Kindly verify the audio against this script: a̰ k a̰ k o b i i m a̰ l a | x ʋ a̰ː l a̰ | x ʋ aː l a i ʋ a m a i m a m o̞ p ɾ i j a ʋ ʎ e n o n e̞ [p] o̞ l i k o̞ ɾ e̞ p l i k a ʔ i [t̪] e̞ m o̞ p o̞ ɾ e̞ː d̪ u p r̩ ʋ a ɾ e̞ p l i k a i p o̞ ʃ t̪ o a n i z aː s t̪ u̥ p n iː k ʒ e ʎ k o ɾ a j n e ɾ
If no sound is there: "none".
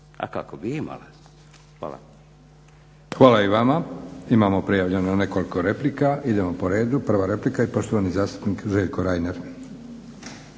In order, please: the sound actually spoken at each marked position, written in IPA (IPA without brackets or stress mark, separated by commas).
k, d̪